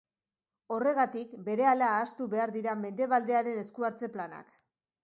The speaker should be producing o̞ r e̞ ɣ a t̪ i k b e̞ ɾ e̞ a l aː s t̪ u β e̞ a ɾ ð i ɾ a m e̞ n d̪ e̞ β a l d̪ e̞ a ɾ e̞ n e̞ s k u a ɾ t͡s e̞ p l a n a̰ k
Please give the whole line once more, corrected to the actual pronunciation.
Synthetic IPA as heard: o̞ r e̞ ɣ a t̪ i k b e̞ ɾ e̞ a l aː s t̪ u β e̞ a ɾ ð i ɾ a m e̞ n d̪ e̞ β a l d̪ e̞ a ɾ e̞ n e̞ s k u a ɾ t͡s e̞ p l a n a̰ k